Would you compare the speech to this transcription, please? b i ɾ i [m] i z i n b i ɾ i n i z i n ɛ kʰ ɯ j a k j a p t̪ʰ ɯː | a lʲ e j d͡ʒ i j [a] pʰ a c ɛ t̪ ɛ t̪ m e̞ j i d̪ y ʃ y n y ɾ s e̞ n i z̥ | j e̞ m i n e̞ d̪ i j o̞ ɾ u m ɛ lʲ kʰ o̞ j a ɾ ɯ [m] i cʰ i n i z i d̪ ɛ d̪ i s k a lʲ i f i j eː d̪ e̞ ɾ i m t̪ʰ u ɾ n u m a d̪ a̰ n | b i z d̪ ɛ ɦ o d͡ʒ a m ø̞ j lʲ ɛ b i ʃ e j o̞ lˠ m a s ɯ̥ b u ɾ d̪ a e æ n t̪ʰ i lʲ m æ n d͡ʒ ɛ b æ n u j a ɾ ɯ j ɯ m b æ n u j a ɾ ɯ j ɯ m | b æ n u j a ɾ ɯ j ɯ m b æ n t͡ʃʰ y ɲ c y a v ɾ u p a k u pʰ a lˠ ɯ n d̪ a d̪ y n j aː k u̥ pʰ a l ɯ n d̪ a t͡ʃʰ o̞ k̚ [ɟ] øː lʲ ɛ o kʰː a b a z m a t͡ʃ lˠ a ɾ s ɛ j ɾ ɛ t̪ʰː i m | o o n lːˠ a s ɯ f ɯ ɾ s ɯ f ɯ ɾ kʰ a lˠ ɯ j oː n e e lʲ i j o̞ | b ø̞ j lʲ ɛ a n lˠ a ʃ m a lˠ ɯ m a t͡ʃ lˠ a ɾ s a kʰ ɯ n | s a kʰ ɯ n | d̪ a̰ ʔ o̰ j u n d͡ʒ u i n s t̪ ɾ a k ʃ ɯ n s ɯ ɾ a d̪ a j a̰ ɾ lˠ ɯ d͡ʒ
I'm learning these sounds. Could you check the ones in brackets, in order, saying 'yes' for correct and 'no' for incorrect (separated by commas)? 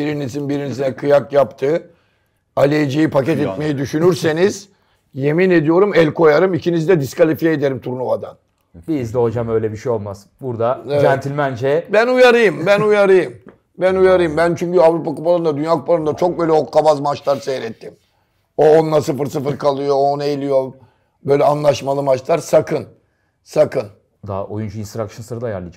no, no, yes, no